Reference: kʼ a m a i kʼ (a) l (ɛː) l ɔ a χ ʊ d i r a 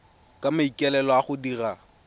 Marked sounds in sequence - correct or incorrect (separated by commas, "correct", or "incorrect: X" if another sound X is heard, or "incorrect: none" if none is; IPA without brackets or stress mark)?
incorrect: ɛ, incorrect: ɛ